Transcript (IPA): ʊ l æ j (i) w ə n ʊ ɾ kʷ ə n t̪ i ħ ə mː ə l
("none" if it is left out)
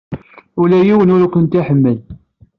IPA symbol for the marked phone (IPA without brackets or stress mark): i